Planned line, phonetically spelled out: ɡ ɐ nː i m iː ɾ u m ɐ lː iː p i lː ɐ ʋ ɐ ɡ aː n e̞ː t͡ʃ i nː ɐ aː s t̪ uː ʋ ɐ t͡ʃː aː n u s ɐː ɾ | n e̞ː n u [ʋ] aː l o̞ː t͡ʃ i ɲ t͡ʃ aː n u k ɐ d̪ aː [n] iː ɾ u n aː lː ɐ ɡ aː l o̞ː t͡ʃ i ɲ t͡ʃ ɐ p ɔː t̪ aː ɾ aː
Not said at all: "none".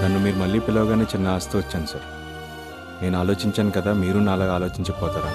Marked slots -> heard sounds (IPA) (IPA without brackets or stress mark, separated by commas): none, m